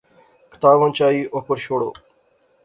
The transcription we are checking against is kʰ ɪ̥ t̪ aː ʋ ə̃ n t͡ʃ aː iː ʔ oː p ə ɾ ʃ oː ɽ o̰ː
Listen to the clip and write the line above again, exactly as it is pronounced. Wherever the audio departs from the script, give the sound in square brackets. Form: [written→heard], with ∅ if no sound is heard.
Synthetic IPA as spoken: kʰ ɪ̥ t̪ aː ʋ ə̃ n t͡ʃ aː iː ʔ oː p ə ɾ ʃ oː ɽ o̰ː